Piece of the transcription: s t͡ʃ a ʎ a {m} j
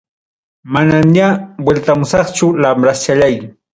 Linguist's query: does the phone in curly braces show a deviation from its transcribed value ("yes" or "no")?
yes